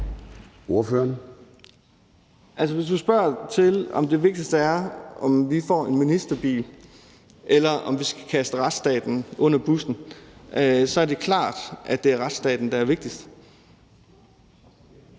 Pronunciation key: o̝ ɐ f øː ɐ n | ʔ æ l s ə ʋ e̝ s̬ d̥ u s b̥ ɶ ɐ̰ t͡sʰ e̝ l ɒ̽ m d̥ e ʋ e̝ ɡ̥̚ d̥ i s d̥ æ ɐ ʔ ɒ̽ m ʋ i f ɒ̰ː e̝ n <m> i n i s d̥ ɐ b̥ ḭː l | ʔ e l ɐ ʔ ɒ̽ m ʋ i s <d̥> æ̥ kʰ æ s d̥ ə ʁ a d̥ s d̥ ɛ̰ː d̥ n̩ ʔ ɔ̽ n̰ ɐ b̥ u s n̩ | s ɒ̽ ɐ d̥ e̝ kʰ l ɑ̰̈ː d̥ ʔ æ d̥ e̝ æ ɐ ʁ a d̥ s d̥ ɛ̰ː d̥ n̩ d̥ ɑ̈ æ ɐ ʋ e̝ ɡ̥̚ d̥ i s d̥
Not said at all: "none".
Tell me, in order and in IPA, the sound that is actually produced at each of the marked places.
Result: m, ɡ̥

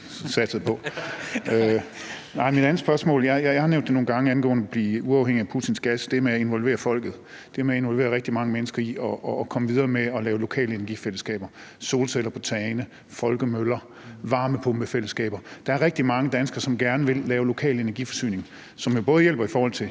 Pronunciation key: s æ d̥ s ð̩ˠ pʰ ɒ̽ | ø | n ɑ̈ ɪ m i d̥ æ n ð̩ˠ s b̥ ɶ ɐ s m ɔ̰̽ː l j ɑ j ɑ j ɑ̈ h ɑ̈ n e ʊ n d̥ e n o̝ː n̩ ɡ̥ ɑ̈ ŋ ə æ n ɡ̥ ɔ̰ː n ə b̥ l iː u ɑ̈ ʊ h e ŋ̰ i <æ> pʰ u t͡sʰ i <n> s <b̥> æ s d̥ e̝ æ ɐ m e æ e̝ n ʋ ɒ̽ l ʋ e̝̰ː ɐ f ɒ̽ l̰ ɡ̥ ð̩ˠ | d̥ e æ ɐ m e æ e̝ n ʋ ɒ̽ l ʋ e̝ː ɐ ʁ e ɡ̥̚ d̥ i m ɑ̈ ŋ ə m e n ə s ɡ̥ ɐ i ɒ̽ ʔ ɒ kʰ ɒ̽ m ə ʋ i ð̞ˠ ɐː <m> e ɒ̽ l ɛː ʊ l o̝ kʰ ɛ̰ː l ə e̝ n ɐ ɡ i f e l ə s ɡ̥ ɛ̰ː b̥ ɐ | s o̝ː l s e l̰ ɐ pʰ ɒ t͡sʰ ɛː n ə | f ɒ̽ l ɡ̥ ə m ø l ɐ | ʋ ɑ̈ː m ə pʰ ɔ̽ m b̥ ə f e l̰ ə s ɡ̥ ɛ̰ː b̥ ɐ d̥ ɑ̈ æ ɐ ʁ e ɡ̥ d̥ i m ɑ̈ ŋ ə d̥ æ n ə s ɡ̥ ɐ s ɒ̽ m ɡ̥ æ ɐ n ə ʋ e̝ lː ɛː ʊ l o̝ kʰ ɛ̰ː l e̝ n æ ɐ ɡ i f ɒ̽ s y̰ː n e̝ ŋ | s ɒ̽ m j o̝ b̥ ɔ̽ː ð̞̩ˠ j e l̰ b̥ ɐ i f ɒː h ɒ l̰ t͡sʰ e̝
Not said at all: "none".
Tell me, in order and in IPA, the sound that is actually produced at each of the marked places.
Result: æ, n, ɡ̥, m

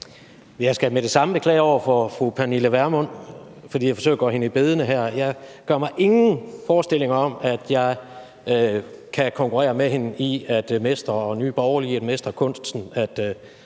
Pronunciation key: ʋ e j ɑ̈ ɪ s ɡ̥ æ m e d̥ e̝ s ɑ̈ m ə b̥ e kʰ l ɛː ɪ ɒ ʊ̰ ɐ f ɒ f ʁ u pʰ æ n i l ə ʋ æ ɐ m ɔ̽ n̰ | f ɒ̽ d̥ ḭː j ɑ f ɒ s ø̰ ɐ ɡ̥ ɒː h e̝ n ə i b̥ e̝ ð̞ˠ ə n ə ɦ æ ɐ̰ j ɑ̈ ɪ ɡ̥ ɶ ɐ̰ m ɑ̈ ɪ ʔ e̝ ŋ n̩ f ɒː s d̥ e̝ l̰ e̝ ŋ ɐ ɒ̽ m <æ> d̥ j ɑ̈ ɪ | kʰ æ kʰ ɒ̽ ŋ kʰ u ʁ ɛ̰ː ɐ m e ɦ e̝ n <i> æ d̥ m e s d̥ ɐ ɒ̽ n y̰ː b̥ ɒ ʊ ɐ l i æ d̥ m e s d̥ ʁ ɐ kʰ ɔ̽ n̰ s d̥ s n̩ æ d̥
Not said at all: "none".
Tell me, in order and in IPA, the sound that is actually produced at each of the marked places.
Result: æ, i

